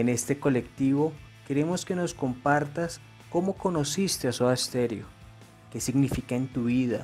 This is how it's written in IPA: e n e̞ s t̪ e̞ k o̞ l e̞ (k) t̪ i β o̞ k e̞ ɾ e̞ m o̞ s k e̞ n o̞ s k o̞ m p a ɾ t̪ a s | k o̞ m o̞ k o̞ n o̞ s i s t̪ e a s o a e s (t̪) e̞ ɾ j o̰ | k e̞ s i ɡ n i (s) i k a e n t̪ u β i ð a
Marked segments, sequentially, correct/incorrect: correct, correct, incorrect

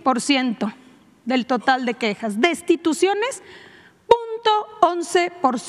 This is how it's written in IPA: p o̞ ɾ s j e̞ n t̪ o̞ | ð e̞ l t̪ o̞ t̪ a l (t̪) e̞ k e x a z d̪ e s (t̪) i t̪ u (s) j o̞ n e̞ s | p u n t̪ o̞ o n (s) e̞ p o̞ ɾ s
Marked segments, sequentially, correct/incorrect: incorrect, correct, correct, correct

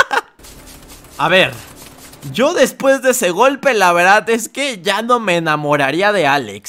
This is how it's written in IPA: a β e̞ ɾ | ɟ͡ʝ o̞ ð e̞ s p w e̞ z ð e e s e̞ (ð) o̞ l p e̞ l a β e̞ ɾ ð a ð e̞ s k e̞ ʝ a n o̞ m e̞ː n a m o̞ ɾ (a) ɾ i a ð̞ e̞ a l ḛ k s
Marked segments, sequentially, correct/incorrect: incorrect, correct

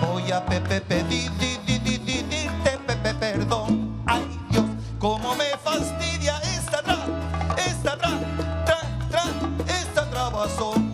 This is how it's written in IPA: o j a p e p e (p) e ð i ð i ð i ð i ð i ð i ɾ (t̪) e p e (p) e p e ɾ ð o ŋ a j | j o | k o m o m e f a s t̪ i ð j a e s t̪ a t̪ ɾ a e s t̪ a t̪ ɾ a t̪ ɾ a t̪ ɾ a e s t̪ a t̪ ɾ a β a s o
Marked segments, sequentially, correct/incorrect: correct, correct, correct

